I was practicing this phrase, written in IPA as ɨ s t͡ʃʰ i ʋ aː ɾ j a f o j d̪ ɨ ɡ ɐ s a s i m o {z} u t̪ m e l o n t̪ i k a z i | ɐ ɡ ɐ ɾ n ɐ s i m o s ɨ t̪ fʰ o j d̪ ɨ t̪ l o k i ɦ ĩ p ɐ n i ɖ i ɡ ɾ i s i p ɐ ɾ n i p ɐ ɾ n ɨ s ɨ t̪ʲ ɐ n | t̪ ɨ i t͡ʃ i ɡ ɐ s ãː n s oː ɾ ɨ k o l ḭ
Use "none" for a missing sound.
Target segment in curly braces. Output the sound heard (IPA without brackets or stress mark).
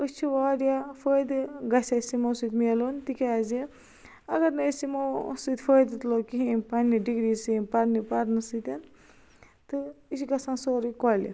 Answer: s